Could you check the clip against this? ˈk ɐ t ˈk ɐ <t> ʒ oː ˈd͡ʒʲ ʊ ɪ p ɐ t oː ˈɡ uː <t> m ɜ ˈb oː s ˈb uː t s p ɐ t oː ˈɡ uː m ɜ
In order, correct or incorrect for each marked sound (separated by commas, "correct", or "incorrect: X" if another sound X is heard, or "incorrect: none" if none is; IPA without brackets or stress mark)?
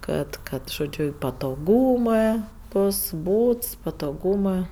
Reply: correct, incorrect: none